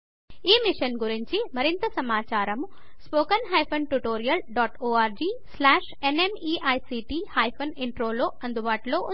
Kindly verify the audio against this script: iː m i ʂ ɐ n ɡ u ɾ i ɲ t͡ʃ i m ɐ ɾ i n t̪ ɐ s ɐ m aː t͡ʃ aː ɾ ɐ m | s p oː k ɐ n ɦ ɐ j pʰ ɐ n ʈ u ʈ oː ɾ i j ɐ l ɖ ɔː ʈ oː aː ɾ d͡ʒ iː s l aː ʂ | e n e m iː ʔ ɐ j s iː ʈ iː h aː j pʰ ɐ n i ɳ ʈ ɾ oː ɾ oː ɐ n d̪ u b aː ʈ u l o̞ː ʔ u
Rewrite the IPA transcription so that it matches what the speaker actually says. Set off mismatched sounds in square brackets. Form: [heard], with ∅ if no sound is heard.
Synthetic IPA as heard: iː m i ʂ ɐ n ɡ u ɾ i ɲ t͡ʃ i m ɐ ɾ i n t̪ ɐ s ɐ m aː t͡ʃ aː ɾ ɐ m | s p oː k ɐ n ɦ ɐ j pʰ ɐ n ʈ u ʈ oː ɾ i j ɐ l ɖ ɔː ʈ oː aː ɾ d͡ʒ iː s l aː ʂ | e n e m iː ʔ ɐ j s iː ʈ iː h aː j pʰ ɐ n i ɳ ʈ ɾ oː [l] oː ɐ n d̪ u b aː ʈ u l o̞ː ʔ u